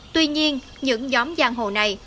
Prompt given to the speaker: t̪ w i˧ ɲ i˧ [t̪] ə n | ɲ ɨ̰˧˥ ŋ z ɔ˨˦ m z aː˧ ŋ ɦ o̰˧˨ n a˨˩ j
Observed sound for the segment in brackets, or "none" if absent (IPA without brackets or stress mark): none